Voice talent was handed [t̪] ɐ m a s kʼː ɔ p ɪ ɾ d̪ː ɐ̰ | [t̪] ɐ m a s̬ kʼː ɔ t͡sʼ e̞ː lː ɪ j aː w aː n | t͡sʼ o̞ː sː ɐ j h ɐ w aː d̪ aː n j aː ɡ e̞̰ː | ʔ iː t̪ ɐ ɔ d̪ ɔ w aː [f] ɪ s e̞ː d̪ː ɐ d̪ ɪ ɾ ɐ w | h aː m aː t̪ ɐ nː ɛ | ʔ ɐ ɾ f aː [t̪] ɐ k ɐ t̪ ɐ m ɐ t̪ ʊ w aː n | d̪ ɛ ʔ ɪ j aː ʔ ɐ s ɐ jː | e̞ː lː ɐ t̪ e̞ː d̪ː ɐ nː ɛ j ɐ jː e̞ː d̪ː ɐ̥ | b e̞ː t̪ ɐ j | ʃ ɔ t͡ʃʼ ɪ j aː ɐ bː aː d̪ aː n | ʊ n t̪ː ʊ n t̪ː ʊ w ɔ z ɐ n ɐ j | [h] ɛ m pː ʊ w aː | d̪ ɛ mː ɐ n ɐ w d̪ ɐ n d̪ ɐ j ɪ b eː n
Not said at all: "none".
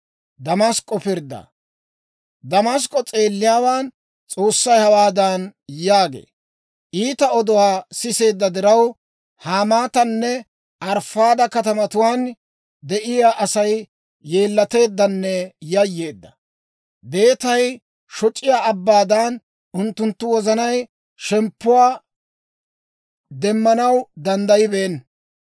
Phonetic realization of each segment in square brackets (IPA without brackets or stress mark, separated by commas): d̪, d̪, s, d̪, ʃ